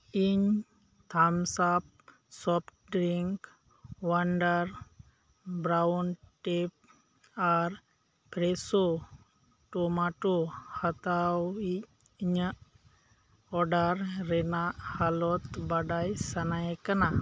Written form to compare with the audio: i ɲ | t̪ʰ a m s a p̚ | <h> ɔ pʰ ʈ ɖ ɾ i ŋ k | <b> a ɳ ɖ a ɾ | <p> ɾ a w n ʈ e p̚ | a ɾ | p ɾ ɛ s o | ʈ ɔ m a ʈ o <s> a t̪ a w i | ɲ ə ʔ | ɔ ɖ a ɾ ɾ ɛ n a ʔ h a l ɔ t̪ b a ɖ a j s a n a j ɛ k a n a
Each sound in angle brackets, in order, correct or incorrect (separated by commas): incorrect, incorrect, incorrect, incorrect